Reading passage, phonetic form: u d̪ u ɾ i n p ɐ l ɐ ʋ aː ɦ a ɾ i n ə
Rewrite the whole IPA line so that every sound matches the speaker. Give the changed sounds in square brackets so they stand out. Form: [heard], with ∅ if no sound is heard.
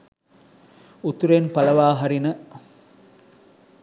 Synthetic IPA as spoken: u [t̪] u ɾ [e] n p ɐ l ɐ ʋ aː ɦ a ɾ i n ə